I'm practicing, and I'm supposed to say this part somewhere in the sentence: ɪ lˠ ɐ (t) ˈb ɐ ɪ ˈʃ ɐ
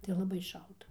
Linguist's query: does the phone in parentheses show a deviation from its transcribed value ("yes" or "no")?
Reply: yes